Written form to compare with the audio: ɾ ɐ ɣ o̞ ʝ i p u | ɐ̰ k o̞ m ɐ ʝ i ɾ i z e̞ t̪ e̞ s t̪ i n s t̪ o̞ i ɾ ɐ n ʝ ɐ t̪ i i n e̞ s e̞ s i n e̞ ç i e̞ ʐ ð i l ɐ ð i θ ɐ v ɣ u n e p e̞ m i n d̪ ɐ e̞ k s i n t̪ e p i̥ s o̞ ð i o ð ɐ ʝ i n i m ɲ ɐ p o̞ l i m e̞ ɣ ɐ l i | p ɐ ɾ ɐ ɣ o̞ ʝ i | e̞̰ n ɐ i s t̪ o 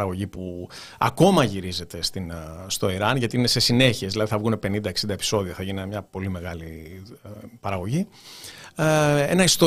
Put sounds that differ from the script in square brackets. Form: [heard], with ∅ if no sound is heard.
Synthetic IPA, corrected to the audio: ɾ ɐ ɣ o̞ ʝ i p u | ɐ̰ k o̞ m ɐ ʝ i ɾ i z e̞ t̪ e̞ s t̪ i n s t̪ o̞ i ɾ ɐ n ʝ ɐ t̪ i i n e̞ s e̞ s i n e̞ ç i e̞ [z] ð i l ɐ ð i θ ɐ v ɣ u n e p e̞ [n] i n d̪ ɐ e̞ k s i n [d̪] e p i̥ s o̞ ð i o [θ] ɐ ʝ i n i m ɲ ɐ p o̞ l i m e̞ ɣ ɐ l i | p ɐ ɾ ɐ ɣ o̞ ʝ i | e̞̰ n ɐ i s t̪ o